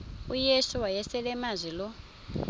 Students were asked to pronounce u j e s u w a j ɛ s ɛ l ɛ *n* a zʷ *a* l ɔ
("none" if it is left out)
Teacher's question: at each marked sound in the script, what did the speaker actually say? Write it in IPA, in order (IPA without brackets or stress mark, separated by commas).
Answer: m, i